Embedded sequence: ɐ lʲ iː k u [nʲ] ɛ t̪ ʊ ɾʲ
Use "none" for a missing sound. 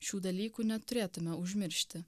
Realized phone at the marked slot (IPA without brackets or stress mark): nʲ